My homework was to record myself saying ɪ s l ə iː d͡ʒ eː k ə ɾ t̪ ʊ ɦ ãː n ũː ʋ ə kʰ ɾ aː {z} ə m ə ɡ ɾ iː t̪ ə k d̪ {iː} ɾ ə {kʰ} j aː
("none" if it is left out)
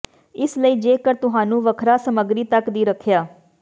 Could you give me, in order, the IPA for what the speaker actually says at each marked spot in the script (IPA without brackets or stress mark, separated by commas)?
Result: s, iː, kʰ